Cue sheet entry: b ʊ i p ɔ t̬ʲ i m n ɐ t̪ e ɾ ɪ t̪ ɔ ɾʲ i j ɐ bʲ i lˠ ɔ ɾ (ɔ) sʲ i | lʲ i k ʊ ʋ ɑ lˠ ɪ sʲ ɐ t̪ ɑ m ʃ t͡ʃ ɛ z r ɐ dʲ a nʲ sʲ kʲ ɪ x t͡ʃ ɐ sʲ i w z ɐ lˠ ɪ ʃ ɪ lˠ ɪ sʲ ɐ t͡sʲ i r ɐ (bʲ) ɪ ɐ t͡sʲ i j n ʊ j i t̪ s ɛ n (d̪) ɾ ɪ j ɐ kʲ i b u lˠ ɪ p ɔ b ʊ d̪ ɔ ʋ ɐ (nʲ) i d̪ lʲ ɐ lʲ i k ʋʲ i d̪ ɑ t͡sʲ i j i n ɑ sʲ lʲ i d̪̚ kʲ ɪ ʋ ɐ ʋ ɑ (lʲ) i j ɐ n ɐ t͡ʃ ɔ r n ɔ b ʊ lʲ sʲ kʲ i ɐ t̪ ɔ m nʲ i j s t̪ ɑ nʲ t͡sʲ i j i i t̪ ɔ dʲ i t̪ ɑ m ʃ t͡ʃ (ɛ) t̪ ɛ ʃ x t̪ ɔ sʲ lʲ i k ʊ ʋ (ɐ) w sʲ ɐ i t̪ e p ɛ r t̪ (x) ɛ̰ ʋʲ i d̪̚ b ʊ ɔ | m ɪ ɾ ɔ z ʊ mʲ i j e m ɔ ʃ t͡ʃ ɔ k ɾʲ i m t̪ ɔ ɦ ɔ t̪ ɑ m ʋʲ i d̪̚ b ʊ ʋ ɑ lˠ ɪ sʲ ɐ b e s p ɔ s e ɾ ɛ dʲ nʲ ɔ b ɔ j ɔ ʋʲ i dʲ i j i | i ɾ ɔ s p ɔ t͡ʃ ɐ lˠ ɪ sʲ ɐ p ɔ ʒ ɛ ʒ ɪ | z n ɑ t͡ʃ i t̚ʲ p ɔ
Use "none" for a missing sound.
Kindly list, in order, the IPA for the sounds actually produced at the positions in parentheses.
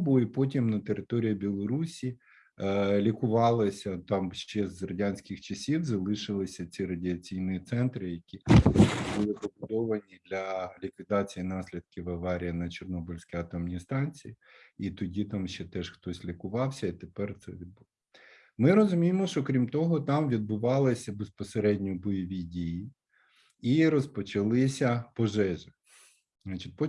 u, dʲ, t̪, nʲ, ɾʲ, ɛ, ɑ, s

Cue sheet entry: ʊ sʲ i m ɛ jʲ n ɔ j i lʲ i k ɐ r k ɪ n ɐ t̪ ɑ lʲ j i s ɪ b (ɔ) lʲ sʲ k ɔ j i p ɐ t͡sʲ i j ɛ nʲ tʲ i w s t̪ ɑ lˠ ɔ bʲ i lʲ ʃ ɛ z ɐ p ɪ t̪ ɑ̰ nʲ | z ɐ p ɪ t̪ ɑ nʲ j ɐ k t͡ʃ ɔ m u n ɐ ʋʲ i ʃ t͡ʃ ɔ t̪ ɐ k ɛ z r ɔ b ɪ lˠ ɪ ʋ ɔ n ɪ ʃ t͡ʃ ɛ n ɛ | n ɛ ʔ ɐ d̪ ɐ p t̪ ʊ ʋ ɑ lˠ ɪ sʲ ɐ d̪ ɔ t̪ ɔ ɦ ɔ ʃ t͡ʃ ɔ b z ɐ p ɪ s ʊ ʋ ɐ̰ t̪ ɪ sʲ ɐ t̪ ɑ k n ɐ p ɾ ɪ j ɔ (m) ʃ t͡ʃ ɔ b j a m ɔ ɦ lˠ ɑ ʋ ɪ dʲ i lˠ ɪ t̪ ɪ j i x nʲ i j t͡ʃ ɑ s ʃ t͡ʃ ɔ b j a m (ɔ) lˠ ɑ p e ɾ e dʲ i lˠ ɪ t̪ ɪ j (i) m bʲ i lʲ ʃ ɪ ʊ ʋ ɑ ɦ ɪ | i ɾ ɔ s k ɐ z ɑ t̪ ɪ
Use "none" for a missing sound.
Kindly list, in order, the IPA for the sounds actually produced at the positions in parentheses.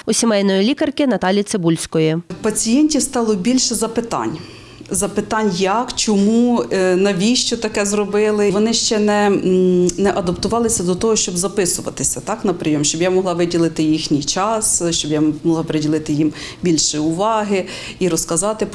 u, m, ɔ, i

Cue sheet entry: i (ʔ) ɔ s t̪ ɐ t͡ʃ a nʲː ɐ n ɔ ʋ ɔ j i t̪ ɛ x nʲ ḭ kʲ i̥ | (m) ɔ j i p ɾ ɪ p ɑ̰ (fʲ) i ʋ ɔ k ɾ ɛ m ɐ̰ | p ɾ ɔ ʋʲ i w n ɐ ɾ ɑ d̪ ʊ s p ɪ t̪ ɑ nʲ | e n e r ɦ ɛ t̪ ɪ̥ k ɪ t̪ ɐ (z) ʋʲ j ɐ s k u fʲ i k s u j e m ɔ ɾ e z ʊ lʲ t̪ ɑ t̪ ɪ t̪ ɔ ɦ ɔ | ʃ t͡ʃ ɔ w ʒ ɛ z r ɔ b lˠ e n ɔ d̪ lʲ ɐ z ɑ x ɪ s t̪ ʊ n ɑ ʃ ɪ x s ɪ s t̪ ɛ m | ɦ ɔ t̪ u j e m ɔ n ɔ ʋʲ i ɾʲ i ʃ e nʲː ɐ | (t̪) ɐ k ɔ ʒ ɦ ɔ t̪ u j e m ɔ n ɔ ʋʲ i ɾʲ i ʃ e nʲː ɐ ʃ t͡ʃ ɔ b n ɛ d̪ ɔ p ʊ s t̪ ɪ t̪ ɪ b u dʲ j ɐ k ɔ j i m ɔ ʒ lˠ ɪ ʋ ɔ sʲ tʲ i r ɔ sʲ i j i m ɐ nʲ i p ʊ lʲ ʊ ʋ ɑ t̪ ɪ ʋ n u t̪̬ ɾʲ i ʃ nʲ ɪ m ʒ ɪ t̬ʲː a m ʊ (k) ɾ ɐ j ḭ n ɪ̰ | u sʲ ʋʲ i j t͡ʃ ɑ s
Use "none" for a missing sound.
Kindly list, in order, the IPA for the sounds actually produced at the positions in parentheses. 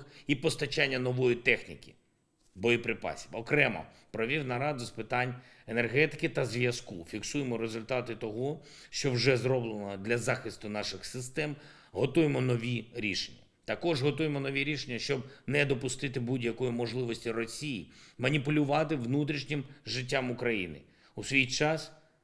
p, b, sʲ, z, t̪, k

